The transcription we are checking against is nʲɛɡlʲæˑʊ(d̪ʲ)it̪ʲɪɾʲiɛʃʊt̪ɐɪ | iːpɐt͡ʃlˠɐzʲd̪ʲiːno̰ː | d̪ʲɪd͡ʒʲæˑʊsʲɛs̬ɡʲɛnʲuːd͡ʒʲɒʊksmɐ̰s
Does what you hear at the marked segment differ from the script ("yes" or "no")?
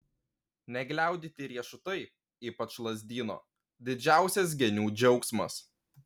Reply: no